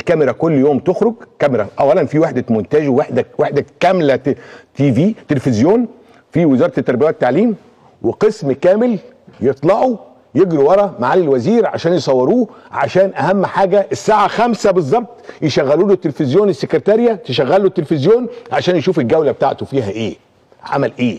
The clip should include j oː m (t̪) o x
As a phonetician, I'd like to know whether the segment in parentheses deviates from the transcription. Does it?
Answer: no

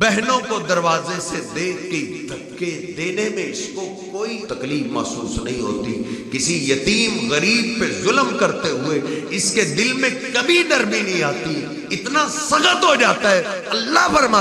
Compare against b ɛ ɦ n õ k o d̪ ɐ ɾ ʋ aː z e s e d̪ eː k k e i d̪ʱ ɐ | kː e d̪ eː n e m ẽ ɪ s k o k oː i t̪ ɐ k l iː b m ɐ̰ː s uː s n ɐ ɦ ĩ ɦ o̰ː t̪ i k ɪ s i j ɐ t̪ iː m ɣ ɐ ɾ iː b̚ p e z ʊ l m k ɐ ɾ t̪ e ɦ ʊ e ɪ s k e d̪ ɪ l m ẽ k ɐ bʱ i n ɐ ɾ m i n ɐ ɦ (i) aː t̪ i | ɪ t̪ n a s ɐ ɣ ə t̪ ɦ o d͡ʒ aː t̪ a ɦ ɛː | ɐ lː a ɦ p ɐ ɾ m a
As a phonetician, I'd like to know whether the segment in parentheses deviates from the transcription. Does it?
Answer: yes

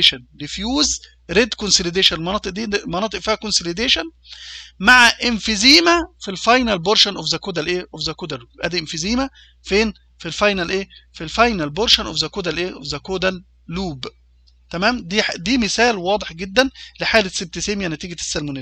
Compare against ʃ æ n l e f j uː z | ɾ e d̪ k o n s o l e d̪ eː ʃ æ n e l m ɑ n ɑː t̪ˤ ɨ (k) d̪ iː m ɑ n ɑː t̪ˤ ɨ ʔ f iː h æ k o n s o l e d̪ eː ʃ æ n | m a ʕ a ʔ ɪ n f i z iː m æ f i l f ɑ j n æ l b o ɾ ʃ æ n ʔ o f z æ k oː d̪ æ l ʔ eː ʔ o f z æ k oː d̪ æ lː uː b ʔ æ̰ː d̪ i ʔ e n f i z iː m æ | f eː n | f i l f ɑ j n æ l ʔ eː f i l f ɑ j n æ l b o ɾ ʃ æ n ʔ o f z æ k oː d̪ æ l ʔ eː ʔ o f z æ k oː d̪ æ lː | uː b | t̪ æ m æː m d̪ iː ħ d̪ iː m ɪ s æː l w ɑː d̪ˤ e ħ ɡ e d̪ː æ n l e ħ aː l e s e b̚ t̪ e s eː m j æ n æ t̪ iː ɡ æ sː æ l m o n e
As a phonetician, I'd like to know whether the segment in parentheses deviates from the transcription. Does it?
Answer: yes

